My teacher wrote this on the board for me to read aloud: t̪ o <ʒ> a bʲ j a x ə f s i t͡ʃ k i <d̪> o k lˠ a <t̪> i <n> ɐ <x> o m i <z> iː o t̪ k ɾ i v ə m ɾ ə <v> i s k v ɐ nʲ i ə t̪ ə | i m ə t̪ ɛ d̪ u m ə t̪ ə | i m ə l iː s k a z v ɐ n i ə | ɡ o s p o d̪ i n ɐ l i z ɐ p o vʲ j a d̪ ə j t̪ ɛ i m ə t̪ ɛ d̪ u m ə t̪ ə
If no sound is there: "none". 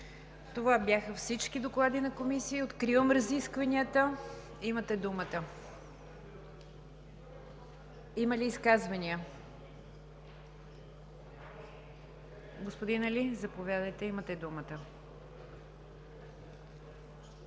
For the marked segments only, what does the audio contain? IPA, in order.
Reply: v, d̪, d̪, n, k, s, z

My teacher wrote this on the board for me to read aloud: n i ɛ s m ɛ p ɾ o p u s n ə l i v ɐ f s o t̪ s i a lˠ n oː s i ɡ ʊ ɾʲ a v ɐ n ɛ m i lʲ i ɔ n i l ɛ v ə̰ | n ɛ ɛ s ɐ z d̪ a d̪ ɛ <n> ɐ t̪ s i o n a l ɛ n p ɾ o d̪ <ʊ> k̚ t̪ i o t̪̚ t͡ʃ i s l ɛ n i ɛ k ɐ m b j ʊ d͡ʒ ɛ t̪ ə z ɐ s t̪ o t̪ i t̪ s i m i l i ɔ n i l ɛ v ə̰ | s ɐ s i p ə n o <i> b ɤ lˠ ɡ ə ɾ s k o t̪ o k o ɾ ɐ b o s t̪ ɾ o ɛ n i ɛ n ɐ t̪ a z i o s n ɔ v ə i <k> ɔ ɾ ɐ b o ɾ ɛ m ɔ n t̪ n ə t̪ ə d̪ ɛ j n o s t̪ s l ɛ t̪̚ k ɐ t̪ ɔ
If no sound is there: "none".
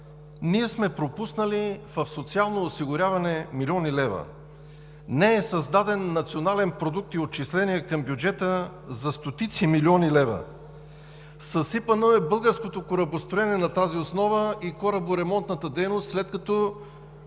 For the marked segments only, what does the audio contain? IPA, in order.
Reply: nː, u, ɛ, k

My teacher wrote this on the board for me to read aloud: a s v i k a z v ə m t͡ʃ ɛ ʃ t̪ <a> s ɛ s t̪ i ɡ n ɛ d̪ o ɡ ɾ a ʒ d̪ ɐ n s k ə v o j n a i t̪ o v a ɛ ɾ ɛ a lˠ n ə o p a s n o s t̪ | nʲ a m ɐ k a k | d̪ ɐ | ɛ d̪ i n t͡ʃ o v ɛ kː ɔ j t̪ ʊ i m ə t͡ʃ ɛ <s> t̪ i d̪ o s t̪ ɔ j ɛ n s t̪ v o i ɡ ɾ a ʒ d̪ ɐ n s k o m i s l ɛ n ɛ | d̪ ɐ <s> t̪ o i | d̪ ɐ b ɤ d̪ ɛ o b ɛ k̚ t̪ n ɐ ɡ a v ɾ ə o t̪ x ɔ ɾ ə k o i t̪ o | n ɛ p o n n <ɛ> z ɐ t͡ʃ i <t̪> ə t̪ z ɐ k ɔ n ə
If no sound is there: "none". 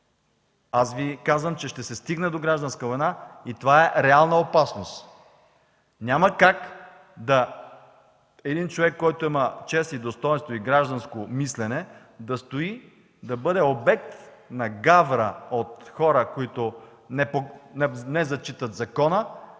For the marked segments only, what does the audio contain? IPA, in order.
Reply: ɛ, s, s, ɛ, t̪

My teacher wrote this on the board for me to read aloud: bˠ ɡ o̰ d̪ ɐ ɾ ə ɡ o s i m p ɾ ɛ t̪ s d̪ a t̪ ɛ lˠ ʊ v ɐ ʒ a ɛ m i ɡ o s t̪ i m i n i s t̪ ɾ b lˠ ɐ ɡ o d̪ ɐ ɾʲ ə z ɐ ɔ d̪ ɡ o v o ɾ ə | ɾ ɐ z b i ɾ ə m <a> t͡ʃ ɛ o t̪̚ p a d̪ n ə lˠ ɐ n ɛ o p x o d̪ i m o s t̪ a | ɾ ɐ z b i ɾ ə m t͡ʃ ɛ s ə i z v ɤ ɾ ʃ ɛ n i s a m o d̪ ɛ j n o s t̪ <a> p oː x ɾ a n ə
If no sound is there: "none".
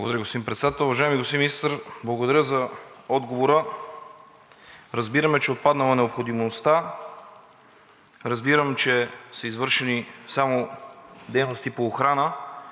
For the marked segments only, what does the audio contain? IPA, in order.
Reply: ɛ, i

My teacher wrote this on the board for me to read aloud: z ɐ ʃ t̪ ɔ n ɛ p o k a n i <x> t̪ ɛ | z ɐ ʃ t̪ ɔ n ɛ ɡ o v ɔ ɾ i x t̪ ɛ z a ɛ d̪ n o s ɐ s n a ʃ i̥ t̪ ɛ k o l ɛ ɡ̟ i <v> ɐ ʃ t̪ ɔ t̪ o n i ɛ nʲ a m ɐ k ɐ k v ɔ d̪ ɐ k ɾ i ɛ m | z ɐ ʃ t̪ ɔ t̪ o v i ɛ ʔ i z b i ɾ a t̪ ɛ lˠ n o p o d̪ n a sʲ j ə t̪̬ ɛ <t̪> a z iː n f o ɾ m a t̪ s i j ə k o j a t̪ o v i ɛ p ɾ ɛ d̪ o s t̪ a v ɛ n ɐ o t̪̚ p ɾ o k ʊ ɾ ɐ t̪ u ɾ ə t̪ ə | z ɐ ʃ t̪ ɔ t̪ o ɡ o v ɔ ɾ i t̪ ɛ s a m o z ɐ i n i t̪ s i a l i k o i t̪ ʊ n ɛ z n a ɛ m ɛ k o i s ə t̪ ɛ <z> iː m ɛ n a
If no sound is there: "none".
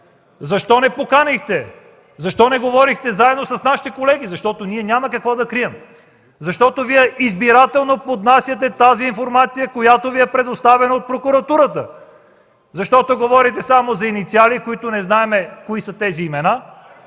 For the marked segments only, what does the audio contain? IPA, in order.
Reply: x, z, t̪, z

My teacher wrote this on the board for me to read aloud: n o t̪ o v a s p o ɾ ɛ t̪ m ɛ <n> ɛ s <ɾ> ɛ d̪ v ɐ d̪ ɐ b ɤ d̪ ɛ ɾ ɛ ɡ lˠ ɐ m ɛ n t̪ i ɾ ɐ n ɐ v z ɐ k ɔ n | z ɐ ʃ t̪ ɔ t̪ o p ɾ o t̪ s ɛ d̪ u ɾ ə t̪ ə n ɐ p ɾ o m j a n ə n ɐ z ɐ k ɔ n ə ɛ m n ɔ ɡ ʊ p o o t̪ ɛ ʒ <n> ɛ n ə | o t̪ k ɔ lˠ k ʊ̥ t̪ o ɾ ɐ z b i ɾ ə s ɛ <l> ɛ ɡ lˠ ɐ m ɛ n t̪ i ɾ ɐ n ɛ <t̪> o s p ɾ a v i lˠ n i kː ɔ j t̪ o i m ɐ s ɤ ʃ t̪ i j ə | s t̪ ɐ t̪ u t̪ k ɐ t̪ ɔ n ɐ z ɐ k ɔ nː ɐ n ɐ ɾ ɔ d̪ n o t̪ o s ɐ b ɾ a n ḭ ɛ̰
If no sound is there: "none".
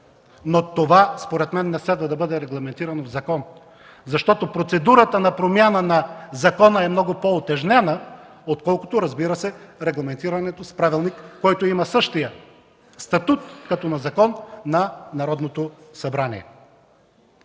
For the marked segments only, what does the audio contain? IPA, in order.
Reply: nː, l, n, ɾ, t̪

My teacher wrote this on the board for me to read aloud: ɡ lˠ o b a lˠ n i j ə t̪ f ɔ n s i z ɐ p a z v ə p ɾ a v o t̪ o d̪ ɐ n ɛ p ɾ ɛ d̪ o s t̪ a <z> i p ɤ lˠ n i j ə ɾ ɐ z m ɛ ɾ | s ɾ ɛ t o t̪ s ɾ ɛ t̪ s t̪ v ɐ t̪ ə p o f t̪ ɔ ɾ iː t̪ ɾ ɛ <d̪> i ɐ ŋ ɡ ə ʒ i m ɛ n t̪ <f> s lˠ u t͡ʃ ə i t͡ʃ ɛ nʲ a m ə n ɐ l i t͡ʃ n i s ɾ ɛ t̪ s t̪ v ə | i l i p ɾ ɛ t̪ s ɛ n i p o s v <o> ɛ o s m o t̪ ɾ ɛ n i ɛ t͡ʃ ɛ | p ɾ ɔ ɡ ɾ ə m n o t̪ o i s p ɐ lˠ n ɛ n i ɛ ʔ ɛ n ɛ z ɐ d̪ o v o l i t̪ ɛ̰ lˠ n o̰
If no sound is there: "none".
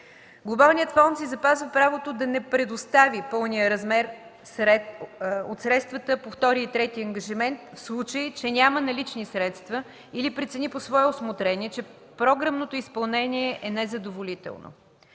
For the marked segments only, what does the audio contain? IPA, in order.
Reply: v, t̪, f, ɔ

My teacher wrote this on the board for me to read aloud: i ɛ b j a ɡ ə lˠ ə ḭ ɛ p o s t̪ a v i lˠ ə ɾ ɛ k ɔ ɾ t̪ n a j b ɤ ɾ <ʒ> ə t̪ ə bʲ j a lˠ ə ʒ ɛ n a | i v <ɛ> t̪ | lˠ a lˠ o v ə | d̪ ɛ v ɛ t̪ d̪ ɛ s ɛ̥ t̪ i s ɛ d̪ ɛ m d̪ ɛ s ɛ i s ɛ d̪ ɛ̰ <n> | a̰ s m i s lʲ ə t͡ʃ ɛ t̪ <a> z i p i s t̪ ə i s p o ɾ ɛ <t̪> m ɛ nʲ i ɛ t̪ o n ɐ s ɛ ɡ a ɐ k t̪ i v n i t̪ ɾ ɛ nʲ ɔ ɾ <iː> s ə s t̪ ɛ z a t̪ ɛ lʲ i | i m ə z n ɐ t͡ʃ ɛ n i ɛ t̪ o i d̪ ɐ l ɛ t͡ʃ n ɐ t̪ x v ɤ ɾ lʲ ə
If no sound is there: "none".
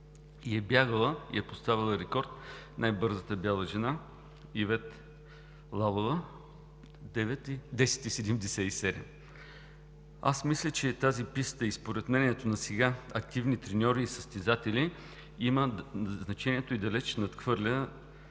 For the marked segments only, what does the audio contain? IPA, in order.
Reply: z, ɛ, m, a, t̪, iː

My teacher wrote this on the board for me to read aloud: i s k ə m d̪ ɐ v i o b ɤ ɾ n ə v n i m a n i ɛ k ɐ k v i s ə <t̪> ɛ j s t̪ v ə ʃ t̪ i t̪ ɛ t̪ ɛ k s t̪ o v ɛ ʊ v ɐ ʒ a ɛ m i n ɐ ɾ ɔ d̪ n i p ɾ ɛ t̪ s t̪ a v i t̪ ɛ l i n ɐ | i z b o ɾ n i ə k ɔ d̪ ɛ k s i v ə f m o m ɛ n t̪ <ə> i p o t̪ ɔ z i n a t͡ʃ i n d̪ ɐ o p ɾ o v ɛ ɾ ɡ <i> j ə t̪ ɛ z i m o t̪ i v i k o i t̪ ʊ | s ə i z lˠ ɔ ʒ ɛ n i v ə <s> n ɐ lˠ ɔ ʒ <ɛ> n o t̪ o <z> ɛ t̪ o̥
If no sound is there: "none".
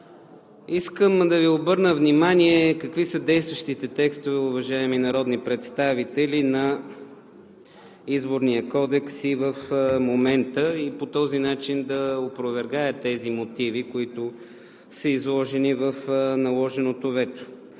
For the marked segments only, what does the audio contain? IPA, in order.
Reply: d̪, ə, a, f, ɛ, v

